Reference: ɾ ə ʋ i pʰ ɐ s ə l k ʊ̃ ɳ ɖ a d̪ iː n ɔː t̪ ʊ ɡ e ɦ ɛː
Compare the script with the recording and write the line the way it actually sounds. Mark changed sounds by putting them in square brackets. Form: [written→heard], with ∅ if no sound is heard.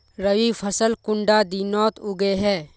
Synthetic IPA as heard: ɾ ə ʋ i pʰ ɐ s ə l k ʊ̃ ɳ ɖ a d̪ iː n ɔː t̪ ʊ ɡ e ɦ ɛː